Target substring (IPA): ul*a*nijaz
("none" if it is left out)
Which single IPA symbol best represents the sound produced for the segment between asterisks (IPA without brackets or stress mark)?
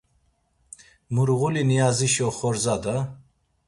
i